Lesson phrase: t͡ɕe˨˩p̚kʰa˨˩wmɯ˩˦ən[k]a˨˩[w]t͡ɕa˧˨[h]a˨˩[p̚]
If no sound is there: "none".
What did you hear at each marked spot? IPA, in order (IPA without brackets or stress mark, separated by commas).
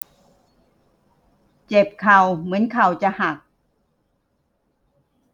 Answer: kʰ, w, h, k̚